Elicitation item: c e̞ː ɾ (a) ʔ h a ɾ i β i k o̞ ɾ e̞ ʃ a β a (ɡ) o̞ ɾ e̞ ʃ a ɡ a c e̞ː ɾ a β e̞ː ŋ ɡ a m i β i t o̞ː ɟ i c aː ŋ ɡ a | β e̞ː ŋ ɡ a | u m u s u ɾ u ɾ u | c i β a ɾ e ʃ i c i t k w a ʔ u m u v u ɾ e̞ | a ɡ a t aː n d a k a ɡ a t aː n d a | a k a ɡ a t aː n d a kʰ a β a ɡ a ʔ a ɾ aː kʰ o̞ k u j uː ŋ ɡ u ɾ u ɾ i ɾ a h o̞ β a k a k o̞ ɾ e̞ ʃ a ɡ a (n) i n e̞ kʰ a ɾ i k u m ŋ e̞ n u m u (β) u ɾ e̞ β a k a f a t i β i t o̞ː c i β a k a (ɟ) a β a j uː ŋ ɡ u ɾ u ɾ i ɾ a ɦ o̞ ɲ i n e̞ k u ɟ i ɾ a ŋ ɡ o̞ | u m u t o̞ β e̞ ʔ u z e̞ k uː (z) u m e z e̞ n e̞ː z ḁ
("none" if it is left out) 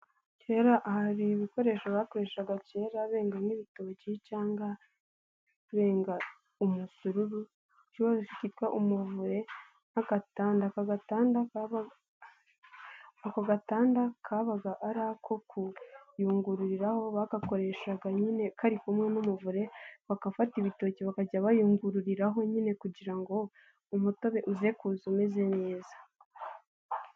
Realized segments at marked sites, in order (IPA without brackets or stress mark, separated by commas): a, k, ɲ, v, ɟ, z